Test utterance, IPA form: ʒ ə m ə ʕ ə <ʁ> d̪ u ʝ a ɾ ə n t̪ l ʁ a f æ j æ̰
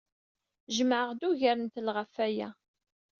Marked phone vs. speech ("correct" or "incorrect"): correct